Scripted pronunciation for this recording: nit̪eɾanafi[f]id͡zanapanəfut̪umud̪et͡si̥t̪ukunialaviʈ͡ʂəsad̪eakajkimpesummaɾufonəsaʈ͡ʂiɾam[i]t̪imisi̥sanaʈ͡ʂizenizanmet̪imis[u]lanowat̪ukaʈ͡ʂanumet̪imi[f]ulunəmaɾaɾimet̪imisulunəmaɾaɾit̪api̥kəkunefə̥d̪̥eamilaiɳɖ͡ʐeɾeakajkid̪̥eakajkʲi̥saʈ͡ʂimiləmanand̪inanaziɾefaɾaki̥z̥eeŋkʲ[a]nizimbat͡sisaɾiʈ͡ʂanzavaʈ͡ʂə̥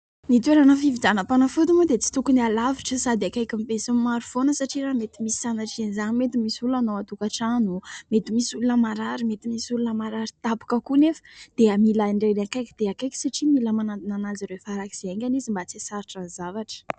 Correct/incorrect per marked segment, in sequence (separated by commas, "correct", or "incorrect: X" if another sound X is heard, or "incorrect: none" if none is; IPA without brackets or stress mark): incorrect: v, incorrect: e, correct, incorrect: s, correct